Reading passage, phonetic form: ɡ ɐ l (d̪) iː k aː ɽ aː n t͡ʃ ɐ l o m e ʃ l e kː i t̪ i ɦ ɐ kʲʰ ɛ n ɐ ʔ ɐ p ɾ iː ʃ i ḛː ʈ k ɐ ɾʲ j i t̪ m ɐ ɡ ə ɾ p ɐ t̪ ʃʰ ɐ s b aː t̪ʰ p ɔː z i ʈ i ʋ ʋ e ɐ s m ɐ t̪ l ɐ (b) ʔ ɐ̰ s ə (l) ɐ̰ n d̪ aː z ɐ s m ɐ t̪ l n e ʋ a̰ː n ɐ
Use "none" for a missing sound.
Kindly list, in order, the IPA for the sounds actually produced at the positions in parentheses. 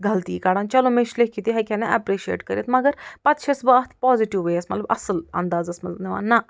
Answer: t̪, b, l

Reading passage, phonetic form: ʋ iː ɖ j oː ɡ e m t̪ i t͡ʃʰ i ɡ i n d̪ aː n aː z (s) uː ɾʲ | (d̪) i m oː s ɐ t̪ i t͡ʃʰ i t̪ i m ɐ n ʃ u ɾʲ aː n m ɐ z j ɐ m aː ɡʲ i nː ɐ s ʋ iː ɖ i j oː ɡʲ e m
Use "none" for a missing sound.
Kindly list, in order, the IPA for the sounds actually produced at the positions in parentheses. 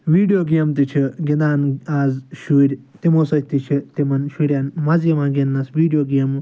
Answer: ʃ, t̪

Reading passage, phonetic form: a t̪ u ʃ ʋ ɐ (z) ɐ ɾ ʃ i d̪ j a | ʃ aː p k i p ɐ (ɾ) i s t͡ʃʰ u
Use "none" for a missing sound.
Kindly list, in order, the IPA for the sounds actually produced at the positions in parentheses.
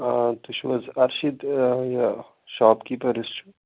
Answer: z, ɾ

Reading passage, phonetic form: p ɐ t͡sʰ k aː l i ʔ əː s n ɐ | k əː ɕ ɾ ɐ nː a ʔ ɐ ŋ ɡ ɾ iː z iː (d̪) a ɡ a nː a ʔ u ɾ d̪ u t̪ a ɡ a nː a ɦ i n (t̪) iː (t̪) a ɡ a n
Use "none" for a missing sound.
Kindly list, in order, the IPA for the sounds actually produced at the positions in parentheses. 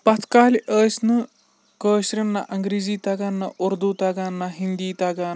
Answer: t̪, d̪, t̪

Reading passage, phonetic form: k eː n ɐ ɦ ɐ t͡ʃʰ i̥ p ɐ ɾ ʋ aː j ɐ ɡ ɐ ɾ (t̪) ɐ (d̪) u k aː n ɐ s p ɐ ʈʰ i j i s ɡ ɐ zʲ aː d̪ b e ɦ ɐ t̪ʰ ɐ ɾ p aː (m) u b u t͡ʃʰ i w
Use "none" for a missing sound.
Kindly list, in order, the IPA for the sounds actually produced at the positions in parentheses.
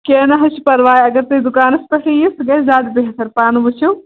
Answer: t̪, d̪, n

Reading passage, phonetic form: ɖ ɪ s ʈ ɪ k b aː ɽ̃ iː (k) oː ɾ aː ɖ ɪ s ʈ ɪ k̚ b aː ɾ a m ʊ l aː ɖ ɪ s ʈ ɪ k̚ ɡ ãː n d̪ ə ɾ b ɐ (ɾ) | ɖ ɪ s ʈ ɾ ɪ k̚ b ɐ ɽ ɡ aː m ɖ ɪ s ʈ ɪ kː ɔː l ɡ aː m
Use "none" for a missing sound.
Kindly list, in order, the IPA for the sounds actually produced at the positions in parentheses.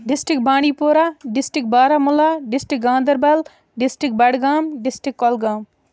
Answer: p, l

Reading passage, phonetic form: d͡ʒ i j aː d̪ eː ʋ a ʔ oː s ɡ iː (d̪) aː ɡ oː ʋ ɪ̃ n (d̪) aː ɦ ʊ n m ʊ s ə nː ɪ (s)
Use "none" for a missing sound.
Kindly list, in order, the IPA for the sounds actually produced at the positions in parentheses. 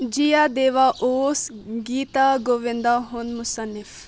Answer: t̪, d̪, f

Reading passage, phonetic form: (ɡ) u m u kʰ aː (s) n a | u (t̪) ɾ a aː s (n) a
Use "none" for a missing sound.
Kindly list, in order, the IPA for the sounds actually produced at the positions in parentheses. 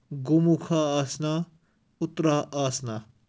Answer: ɡ, s, t̪, n

